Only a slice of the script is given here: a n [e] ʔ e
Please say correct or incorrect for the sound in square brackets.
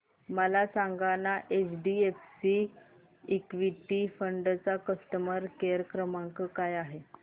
incorrect